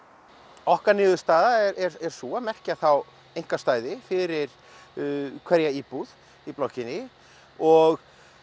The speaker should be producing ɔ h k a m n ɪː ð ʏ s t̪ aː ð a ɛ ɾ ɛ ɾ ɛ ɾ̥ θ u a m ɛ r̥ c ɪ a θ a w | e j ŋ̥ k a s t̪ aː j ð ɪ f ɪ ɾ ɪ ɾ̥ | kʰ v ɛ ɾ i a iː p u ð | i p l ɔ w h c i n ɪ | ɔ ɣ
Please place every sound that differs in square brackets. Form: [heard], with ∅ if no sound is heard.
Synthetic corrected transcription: ɔ h k a [∅] n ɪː ð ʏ s t̪ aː ð a ɛ ɾ ɛ ɾ ɛ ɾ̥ [s] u a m ɛ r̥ c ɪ a θ a w | e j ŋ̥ k a s t̪ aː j ð ɪ f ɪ ɾ ɪ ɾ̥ | kʰ v ɛ ɾ [j] a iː p u ð | i p l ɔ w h c [ɪ] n ɪ | ɔ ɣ

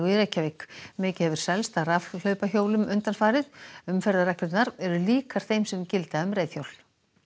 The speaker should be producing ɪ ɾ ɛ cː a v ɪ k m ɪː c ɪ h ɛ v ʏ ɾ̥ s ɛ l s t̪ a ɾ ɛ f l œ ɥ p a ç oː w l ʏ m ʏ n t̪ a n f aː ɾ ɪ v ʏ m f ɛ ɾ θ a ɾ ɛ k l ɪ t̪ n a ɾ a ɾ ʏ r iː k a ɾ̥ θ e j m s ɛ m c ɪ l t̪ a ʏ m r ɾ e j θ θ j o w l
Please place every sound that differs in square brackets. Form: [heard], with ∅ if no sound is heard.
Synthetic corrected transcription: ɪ ɾ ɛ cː a v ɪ k m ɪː c ɪ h ɛ v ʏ ɾ̥ s ɛ l s t̪ a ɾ [a] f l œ ɥ p a ç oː w l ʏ m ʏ n t̪ a n f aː ɾ ɪ [ð] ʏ m f ɛ ɾ [ð] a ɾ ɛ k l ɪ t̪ n a ɾ [ɛ] ɾ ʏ [l] iː k a ɾ̥ θ e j m s ɛ m c ɪ l t̪ a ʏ m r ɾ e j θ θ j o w l

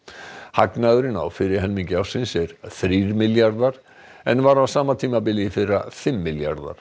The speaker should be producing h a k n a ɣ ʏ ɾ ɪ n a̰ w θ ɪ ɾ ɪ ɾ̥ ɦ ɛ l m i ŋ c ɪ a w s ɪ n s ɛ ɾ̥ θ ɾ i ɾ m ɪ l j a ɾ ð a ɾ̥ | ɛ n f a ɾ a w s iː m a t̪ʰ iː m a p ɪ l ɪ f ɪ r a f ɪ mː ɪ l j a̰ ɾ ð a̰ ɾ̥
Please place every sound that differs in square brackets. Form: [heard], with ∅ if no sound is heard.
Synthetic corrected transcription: h a k n a [ð] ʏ ɾ ɪ n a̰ w [f] ɪ ɾ ɪ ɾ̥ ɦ ɛ l m i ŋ c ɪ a w s ɪ n s ɛ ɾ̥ θ ɾ i ɾ m ɪ l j a ɾ ð a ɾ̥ | ɛ n [v] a ɾ a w s [aː] m a t̪ʰ iː m a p ɪ l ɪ f ɪ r a f ɪ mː ɪ l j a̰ ɾ ð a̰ ɾ̥

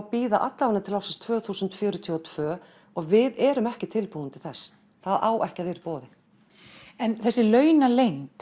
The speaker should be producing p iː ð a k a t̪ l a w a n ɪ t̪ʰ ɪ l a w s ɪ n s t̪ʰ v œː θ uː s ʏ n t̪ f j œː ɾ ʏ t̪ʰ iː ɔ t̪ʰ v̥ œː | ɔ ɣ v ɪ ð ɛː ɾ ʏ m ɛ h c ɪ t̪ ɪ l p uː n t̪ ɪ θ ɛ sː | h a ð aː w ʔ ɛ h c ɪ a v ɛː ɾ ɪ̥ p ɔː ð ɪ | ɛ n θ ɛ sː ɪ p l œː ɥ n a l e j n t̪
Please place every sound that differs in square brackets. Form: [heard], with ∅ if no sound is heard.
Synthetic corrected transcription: p iː ð a [ʔ] a t̪ l a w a n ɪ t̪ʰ ɪ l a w s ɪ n s t̪ʰ v œː θ uː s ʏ n t̪ f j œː ɾ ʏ t̪ʰ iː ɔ t̪ʰ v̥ œː | ɔ ɣ v ɪ ð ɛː ɾ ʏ m ɛ h c ɪ [t̪ʰ] ɪ l p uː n t̪ ɪ θ ɛ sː | [θ] a ð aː w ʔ ɛ h c ɪ a v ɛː ɾ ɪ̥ p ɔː ð ɪ | ɛ n θ ɛ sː ɪ [∅] l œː ɥ n a l e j n t̪

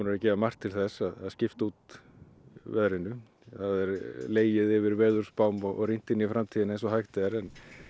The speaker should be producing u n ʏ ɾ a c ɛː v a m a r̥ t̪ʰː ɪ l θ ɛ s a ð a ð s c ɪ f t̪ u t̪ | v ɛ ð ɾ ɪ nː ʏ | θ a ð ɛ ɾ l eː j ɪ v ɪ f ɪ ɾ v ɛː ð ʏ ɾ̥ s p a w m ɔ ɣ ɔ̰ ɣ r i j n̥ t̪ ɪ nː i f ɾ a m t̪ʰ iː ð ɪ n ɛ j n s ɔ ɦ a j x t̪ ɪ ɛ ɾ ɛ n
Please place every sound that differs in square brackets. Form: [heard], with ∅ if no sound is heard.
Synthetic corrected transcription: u n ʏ ɾ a c ɛː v a m a r̥ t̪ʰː ɪ l θ ɛ s a ð a ð s c ɪ f t̪ u t̪ | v ɛ ð ɾ ɪ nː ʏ | θ a ð ɛ ɾ l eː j ɪ [ð] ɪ [v] ɪ ɾ v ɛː ð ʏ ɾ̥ s p a w m ɔ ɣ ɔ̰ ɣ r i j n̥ t̪ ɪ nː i f ɾ a m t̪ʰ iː ð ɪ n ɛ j n s ɔ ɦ a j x t̪ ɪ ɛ ɾ ɛ n

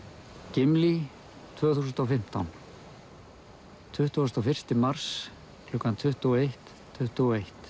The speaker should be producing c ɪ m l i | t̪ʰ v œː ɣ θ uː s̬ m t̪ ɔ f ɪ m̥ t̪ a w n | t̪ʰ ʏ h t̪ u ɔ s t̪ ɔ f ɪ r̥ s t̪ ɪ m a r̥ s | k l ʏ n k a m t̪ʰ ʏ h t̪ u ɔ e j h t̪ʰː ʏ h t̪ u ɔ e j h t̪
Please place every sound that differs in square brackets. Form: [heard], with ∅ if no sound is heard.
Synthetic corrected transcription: c ɪ m l i | t̪ʰ v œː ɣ θ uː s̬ [n] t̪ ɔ f ɪ m̥ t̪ a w n | t̪ʰ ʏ h t̪ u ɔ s t̪ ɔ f ɪ r̥ s t̪ ɪ m a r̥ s | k l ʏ [∅] k a [n] t̪ʰ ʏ h t̪ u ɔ e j h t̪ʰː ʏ h t̪ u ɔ e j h t̪

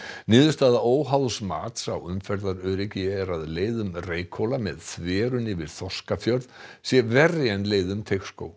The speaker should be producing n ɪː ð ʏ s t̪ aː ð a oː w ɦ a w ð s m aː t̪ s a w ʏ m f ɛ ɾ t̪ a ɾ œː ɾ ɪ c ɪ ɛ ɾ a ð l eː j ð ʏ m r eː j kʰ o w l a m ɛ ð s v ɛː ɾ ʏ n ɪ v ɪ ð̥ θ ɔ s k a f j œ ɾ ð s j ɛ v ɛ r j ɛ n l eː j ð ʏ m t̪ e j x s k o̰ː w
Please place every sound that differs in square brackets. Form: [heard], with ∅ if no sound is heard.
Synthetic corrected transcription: n ɪː ð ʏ s t̪ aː ð a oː w ɦ a w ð s m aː t̪ s a w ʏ m f ɛ ɾ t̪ a ɾ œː ɾ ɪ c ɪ ɛ ɾ a ð l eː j ð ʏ m r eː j kʰ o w l a m ɛ ð [θ] v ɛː ɾ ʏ n ɪ v ɪ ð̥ θ ɔ s k a f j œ ɾ ð s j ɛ v ɛ r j ɛ n l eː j ð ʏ m [t̪ʰ] e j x s k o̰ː w

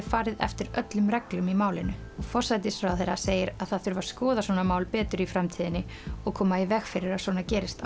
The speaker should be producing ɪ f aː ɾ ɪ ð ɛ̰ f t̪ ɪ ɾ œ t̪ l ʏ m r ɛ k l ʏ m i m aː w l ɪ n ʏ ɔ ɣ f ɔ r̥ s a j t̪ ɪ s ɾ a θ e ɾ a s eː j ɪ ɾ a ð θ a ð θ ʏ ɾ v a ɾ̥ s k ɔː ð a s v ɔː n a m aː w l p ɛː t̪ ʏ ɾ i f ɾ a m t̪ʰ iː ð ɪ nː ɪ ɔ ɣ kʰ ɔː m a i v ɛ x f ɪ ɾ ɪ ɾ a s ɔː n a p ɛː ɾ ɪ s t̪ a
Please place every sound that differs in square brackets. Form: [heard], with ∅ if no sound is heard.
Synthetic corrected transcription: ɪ f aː ɾ ɪ ð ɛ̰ f t̪ ɪ ɾ œ t̪ l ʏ m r ɛ k l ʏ m i m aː w l ɪ n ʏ ɔ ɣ f ɔ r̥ s a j t̪ ɪ s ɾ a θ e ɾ a s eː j ɪ ɾ a ð θ a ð θ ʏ ɾ v a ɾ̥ s k ɔː ð a s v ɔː n a m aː w l p ɛː t̪ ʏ ɾ i f ɾ a m t̪ʰ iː ð ɪ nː ɪ ɔ ɣ kʰ ɔː m a i v ɛ x f ɪ ɾ ɪ ɾ a s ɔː n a [c] ɛː ɾ ɪ s t̪ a

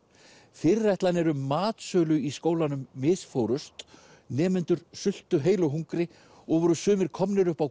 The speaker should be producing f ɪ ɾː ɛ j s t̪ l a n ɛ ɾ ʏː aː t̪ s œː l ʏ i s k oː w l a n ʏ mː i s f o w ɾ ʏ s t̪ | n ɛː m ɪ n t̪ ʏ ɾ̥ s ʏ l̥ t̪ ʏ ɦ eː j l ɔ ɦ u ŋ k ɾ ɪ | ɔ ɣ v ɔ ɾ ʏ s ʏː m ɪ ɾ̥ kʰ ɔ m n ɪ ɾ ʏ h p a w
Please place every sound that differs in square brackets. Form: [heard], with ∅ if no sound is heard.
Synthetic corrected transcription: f ɪ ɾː ɛ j [h] t̪ l a n ɛ ɾ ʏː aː t̪ s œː l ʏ i s k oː w l a n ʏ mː [ɪ] s f o w ɾ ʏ s t̪ | n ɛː m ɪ n t̪ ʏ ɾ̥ s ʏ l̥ t̪ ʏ ɦ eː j l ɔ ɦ u ŋ k ɾ ɪ | ɔ ɣ v ɔ ɾ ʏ s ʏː m ɪ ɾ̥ kʰ ɔ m n ɪ ɾ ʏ h p a w

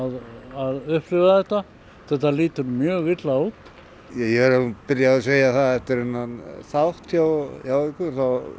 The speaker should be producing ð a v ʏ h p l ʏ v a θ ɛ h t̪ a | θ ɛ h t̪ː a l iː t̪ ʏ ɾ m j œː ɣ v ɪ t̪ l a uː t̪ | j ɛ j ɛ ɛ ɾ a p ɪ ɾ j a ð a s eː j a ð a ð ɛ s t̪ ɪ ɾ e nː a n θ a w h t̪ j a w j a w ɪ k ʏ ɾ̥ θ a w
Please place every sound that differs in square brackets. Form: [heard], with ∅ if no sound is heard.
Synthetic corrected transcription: ð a [ð] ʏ h p l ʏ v a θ ɛ h t̪ a | θ ɛ h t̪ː a l iː t̪ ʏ ɾ m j œː ɣ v ɪ t̪ l a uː t̪ | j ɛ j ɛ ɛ ɾ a p ɪ ɾ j a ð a s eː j a [θ] a ð ɛ [f] t̪ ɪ ɾ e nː a n θ a w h t̪ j a w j a w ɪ k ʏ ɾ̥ θ a w

